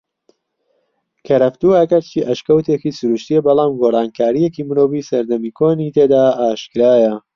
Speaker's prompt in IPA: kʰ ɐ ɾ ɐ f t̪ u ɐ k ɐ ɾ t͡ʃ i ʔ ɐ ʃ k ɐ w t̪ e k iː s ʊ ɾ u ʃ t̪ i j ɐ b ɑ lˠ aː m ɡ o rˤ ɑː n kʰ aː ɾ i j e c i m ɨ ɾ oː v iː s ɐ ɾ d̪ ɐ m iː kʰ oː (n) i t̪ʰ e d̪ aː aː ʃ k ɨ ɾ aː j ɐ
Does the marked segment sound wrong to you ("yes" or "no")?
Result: no